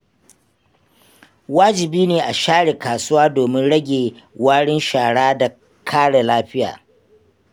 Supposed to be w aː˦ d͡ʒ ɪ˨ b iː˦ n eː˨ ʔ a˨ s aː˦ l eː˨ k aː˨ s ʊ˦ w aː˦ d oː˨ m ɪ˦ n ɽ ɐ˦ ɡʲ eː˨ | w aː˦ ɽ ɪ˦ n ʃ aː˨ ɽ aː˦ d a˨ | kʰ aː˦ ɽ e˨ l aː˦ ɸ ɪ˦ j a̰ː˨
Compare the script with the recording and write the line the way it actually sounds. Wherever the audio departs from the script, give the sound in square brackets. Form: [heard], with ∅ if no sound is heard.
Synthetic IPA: w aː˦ d͡ʒ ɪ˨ b iː˦ n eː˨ ʔ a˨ [ʃ] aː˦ [ɽ] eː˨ k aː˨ s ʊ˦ w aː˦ d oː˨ m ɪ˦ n ɽ ɐ˦ ɡʲ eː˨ | w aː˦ ɽ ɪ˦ n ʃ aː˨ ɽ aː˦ d a˨ | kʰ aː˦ ɽ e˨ l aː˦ ɸ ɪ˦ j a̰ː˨